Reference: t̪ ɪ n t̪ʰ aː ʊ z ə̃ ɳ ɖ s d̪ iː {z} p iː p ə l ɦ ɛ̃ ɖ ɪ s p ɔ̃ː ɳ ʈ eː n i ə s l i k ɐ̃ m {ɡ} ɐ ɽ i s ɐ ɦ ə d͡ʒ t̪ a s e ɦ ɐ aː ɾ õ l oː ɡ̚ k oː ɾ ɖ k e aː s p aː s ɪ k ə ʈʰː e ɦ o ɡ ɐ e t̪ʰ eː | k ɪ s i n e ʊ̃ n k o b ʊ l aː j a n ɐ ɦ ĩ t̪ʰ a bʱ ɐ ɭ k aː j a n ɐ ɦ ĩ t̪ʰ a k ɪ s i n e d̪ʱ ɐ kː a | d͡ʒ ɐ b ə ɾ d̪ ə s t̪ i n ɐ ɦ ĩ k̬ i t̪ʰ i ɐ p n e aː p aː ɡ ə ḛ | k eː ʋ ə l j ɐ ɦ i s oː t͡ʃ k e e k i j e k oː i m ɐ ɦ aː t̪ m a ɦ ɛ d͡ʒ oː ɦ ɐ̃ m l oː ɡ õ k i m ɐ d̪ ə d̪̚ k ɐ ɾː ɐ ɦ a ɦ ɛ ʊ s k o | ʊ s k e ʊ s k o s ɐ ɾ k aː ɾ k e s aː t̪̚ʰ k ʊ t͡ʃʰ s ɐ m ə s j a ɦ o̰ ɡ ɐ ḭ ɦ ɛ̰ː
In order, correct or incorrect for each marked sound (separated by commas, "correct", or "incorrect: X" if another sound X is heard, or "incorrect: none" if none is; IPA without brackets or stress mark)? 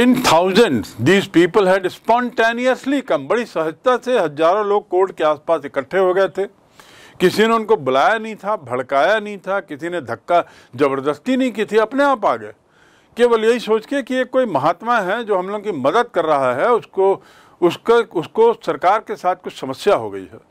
correct, incorrect: b